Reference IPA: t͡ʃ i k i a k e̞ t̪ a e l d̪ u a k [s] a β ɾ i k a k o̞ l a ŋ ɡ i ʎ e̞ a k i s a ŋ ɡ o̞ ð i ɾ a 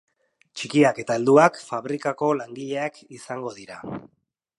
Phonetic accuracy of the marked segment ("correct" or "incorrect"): incorrect